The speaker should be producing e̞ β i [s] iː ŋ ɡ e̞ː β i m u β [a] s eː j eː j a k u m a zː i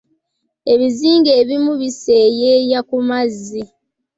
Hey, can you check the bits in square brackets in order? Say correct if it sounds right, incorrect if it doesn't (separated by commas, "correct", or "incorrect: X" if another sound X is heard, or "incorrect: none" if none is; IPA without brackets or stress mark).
incorrect: z, incorrect: i